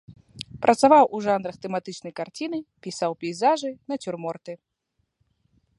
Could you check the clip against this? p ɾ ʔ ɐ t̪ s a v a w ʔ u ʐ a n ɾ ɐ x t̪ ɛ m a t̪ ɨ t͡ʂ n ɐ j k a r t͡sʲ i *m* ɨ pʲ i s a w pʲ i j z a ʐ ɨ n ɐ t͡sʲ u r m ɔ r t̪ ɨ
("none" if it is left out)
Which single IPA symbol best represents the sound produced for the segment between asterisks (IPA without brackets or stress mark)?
n